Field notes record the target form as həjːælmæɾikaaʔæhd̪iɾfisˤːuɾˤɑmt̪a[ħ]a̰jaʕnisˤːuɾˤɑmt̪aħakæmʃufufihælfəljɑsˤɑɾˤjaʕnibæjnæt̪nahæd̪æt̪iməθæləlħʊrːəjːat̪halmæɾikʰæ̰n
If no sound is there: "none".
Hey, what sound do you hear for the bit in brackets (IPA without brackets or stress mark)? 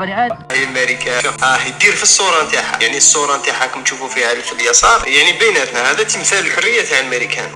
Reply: ħ